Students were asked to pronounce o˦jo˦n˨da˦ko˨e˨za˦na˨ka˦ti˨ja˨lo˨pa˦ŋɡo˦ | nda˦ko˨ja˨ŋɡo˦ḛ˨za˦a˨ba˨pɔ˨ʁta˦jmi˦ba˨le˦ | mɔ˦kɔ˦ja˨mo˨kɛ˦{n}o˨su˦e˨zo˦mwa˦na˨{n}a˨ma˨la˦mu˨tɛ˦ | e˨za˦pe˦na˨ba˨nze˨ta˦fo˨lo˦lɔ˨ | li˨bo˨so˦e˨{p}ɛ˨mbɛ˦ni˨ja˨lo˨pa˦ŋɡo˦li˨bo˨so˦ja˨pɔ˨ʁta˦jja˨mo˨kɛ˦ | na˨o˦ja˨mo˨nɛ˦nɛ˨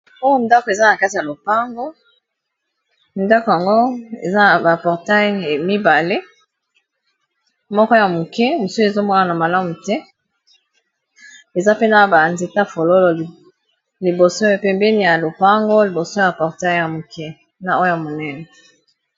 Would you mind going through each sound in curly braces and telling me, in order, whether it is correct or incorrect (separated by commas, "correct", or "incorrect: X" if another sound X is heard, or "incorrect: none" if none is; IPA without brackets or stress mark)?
incorrect: m, correct, correct